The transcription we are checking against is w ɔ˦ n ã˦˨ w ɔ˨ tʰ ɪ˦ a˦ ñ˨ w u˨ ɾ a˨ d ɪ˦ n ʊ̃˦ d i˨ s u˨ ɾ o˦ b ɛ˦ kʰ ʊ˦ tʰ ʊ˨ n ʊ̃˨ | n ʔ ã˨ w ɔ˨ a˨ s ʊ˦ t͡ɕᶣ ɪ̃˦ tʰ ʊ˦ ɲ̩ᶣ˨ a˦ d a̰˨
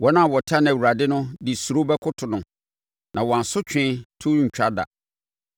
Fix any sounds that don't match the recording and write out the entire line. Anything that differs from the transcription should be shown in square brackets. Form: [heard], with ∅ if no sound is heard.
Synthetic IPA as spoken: w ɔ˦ n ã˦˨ w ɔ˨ tʰ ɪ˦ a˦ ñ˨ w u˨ ɾ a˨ d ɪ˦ n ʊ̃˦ d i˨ s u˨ ɾ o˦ b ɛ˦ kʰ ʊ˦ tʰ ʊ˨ n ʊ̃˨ | n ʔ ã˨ w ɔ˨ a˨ s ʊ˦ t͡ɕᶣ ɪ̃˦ tʰ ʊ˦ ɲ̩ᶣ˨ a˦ d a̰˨